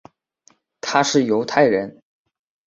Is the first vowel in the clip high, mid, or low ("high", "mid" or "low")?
low